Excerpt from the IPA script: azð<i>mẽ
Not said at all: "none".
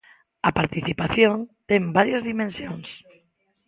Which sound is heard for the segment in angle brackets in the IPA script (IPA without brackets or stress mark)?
i